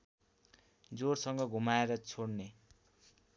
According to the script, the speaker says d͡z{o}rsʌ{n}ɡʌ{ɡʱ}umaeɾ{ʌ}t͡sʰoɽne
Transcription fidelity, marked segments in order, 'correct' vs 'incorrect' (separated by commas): correct, incorrect, correct, correct